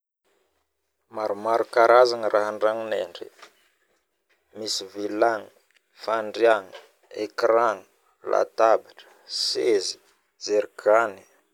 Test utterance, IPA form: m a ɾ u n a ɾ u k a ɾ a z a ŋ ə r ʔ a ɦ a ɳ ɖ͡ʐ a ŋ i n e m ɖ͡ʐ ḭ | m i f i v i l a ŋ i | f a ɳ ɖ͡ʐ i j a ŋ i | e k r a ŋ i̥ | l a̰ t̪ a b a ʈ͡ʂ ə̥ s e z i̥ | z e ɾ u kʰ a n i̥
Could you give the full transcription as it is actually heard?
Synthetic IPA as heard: m a ɾ u m a ɾ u k a ɾ a z a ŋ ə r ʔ a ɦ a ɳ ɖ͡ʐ a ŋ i n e ɳ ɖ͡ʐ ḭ | m i s i v i l a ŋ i | f a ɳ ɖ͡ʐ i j a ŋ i | e k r a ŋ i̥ | l a̰ t̪ a b a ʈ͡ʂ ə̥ s e z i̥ | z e ɾ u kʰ a n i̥

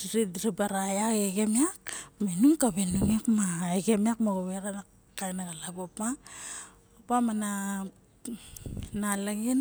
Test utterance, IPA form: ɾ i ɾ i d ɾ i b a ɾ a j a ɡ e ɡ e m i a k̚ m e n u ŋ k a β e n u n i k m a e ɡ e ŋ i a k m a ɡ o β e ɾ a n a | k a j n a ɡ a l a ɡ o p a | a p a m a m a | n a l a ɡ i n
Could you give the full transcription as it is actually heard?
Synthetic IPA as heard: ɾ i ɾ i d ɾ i b a ɾ a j a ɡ e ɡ e m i a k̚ m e n u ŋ k a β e n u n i k m a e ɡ e m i a k m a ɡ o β e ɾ a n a | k a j n a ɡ a l a ɡ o p a | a p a m a n a | n a l a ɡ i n

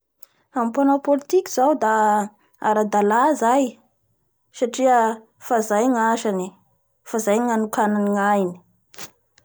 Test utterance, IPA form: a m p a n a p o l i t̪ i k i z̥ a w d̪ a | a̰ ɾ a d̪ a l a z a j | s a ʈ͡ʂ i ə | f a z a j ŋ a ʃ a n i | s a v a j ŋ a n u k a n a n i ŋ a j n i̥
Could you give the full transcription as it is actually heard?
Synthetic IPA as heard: a m p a n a p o l i t̪ i k i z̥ a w d̪ a | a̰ ɾ a d̪ a l a z a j | s a ʈ͡ʂ i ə | f a z a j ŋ a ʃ a n i | f a z a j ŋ a n u k a n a n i ŋ a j n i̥

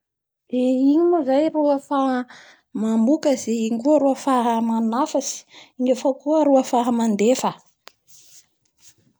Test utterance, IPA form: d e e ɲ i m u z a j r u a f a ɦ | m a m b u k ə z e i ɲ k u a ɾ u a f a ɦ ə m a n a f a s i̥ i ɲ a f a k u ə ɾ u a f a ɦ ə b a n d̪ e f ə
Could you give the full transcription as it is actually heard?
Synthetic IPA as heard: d e i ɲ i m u z a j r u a f a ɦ | m a m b u k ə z e i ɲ k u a ɾ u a f a ɦ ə m a n a f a s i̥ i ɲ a f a k u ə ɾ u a f a ɦ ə m a n d̪ e f ə

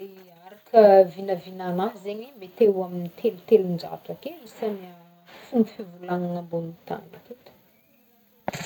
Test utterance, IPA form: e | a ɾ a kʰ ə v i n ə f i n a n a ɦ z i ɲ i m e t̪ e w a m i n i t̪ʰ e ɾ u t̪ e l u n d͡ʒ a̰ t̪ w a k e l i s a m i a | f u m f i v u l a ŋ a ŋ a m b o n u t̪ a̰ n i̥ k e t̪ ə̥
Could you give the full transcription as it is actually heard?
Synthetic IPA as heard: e | a ɾ a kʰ ə v i n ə v i n a n a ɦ z e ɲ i m e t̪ e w a m i n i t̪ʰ e l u t̪ e l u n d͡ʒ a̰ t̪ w a k e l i s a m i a | f u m f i v u l a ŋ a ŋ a m b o n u t̪ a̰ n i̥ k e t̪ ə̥

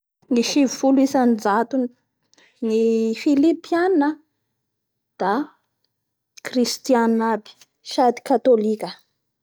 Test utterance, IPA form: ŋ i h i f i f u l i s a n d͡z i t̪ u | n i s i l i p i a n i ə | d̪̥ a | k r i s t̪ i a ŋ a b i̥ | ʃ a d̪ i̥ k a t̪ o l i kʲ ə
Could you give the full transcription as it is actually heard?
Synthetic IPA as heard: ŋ i ʃ i v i f u l i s a n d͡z a t̪ u | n i f i l i p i a n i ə | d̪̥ a | k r i s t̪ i a n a b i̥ | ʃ a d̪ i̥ k a t̪ o l i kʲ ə

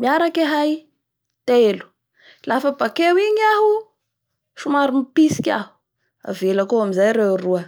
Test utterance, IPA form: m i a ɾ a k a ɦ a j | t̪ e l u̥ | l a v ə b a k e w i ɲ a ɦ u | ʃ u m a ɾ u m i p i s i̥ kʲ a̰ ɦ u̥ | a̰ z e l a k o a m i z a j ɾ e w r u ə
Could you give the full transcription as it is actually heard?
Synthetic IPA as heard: m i a ɾ a k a ɦ a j | t̪ e l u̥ | l a f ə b a k e w i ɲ a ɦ u | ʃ u m a ɾ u m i p i s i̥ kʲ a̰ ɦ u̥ | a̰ v e l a k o a m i z a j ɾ e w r u ə

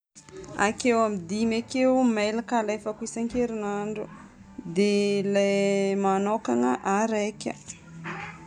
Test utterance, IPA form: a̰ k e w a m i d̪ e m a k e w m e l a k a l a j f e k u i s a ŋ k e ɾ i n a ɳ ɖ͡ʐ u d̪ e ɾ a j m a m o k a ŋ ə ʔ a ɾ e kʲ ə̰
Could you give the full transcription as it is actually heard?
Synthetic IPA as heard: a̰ k e w a m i d̪ i m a k e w m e l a k a l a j f a k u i s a ŋ k e ɾ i n a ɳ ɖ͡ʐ u d̪ e l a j m a n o k a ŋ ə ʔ a ɾ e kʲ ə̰

